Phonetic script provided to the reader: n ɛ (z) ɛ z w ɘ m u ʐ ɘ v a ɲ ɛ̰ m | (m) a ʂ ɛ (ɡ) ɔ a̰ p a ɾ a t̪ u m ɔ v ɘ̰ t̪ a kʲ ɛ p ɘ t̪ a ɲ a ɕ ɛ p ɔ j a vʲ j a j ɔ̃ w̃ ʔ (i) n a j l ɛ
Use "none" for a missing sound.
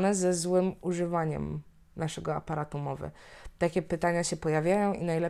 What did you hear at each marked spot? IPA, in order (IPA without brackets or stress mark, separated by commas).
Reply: z, n, ɡ, i